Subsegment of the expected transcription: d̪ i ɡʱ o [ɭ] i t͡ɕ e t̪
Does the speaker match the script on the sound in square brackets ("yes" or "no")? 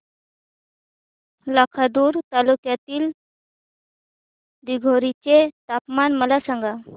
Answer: no